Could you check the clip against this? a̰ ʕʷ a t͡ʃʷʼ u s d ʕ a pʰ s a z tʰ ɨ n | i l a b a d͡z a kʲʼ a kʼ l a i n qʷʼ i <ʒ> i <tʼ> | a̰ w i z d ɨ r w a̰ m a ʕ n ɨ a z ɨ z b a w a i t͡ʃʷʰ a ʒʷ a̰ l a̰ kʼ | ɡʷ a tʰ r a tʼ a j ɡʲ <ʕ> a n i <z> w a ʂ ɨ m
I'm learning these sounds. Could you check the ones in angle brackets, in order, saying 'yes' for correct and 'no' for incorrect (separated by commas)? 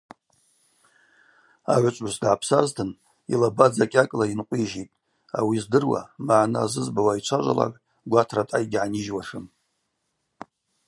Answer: yes, yes, yes, no